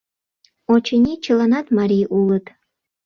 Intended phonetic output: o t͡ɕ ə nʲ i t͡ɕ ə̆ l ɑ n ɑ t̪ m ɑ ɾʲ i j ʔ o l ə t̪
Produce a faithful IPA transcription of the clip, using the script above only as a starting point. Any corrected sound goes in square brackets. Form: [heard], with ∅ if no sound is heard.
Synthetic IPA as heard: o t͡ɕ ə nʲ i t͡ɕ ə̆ l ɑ n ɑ t̪ m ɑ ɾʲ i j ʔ [u] l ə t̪